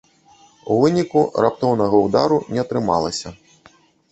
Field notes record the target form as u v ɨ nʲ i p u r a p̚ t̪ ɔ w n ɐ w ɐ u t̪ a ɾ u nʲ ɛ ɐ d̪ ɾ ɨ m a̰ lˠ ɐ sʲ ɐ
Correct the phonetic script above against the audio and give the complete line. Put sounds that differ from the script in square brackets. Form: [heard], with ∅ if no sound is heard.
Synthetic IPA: u v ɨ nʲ i [k] u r a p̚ t̪ ɔ w n ɐ [ɣ] ɐ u [d̪] a ɾ u nʲ ɛ ɐ [t̪] ɾ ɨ m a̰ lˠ ɐ sʲ ɐ